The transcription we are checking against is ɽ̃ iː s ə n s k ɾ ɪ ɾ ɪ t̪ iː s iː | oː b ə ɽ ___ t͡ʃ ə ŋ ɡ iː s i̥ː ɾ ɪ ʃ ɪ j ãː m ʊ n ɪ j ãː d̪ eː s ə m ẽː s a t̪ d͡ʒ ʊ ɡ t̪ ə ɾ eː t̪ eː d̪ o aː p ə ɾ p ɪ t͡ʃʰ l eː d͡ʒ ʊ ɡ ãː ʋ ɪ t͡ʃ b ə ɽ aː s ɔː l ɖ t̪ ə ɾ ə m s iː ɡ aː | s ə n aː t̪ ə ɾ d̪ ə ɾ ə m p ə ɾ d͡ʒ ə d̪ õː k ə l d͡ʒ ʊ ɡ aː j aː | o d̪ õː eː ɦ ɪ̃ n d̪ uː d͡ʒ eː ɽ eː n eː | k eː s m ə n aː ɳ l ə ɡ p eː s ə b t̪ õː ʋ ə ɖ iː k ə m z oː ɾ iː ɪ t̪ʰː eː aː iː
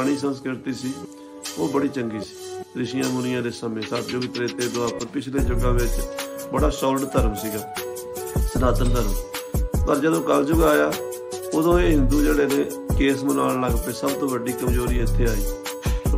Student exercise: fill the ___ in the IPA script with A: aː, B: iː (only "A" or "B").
B